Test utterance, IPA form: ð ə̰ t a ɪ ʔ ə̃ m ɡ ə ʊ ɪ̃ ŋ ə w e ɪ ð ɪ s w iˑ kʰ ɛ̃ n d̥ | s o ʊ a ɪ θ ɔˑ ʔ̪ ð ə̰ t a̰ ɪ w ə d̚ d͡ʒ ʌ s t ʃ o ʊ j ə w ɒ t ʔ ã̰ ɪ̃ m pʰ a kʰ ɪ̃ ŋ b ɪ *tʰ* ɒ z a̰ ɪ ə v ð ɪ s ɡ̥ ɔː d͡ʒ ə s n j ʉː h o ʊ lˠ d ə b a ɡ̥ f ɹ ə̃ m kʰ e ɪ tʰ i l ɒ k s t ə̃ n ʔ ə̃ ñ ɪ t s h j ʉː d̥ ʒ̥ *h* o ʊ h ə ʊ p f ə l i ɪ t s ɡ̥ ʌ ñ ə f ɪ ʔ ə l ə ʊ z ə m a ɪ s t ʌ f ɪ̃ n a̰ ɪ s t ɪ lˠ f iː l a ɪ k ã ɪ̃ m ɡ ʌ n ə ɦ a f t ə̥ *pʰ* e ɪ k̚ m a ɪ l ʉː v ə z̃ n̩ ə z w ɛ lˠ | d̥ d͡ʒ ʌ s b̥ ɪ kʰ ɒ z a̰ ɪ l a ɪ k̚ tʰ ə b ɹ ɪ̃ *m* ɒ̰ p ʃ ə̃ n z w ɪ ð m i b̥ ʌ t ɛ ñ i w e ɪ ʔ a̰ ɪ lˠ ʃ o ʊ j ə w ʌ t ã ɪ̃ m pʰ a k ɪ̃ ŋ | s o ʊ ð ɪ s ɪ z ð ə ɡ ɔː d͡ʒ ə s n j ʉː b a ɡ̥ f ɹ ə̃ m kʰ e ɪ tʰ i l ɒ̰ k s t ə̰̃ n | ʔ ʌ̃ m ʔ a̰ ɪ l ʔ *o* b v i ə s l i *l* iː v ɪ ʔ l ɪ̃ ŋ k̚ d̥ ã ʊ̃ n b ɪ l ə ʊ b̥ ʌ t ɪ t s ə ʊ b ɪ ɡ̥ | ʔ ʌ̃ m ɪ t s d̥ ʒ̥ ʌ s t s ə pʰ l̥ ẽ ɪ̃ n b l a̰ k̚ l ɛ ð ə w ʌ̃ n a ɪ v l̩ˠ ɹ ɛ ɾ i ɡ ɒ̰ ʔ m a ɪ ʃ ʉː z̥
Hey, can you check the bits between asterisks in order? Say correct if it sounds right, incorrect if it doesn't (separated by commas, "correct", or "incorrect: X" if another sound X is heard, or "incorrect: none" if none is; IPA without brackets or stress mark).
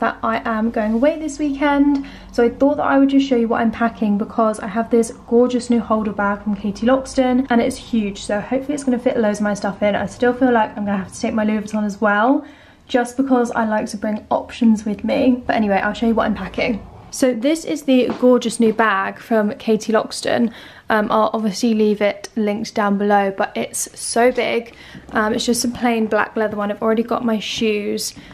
incorrect: kʰ, incorrect: s, incorrect: tʰ, incorrect: ŋ, incorrect: ɒ, correct